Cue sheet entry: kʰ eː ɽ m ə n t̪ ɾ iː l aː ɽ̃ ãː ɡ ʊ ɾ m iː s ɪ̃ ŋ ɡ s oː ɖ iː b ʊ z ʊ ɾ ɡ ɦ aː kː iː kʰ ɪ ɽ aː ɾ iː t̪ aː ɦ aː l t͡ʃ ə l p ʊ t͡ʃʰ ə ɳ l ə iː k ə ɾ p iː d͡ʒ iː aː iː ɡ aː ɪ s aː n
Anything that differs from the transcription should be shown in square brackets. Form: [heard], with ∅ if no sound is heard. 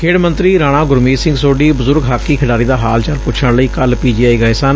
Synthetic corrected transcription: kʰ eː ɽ m ə n t̪ ɾ iː [ɾ] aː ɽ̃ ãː ɡ ʊ ɾ m iː s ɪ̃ ŋ ɡ s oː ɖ iː b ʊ z ʊ ɾ ɡ ɦ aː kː iː kʰ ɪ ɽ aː ɾ iː [d̪] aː ɦ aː l t͡ʃ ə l p ʊ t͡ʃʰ ə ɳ l ə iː k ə [l] p iː d͡ʒ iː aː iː ɡ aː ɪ s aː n